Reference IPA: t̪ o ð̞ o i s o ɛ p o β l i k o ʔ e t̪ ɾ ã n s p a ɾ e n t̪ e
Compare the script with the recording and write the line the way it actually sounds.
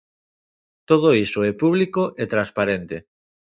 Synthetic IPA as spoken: t̪ o ð̞ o i s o ɛ p u β l i k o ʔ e t̪ ɾ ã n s p a ɾ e n t̪ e